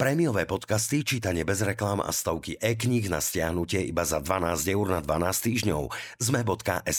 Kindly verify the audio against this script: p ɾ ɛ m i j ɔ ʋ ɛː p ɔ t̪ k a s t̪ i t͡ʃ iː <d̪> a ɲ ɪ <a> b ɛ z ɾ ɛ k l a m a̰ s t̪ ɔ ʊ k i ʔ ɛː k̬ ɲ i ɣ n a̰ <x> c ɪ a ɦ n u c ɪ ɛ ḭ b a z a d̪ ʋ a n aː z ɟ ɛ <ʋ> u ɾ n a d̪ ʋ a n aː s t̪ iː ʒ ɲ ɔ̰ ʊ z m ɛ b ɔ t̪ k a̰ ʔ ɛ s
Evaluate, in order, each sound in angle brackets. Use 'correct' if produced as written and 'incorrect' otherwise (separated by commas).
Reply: incorrect, incorrect, incorrect, incorrect